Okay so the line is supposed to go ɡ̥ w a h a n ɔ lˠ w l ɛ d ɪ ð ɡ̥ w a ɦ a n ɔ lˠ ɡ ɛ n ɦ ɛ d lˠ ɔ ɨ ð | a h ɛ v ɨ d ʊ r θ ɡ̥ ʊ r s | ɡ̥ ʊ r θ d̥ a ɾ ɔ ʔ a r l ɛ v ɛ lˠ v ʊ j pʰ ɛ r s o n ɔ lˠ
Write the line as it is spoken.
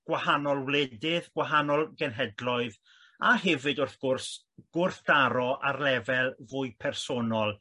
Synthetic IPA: ɡ̥ w a h a n ɔ lˠ w l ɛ d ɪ ð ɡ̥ w a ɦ a n ɔ lˠ ɡ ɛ n ɦ ɛ d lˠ ɔ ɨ ð | a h ɛ v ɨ d ʊ r θ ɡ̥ ʊ r s | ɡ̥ ʊ r θ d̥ a ɾ ɔ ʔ a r l ɛ v ɛ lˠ v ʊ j pʰ ɛ r s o n ɔ lˠ